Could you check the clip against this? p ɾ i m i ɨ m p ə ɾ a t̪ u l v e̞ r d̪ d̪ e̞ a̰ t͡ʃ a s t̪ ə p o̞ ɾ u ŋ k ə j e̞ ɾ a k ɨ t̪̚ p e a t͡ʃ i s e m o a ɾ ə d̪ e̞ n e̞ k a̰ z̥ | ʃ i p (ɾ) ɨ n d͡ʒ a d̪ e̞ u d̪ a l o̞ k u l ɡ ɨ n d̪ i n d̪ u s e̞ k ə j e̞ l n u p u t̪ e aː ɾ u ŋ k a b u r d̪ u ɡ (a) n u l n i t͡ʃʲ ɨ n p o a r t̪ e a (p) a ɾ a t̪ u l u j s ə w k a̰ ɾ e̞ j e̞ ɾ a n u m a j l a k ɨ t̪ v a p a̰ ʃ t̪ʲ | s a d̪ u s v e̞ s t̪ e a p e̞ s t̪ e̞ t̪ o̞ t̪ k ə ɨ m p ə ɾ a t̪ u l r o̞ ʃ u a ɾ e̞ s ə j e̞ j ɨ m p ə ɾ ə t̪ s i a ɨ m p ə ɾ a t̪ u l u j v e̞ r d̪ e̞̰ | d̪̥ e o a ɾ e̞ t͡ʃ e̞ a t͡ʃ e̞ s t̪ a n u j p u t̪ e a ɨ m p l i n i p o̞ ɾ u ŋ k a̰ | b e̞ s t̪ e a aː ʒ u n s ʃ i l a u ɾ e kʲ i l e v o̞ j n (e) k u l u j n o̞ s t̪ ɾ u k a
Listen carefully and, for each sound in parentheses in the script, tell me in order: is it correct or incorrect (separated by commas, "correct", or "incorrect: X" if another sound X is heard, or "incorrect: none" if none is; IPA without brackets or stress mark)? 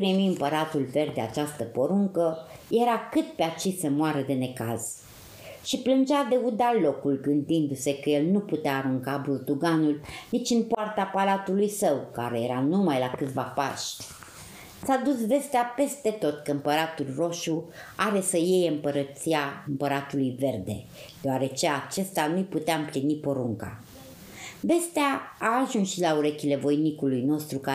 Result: incorrect: l, correct, correct, incorrect: i